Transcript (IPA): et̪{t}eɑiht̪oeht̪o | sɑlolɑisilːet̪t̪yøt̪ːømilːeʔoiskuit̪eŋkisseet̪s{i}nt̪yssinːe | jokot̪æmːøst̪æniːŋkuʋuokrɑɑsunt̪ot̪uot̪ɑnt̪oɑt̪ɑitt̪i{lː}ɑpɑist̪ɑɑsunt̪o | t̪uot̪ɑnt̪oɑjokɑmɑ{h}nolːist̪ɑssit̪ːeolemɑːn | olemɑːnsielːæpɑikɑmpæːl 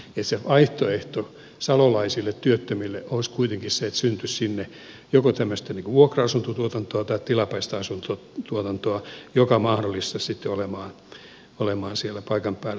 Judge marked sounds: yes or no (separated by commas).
no, no, no, yes